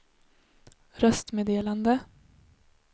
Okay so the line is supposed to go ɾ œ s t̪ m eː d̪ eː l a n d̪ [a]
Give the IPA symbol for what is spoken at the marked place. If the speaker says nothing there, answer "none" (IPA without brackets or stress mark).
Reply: ə